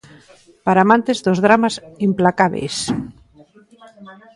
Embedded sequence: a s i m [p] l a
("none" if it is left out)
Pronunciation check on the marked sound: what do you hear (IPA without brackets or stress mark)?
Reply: p